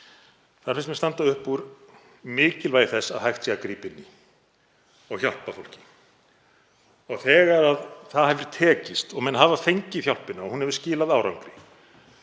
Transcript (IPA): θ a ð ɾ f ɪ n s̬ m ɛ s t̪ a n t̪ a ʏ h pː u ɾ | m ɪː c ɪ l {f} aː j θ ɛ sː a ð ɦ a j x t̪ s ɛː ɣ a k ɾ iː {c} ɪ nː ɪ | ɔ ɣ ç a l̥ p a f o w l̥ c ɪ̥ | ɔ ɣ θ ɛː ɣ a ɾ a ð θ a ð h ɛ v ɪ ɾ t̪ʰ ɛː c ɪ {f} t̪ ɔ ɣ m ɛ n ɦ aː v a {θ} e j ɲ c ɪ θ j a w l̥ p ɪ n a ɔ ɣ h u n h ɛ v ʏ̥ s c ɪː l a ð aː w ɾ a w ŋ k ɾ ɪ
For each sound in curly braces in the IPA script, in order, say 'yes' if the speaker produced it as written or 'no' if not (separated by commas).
no, no, no, no